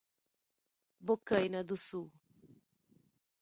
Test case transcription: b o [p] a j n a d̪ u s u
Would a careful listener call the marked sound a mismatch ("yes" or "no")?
yes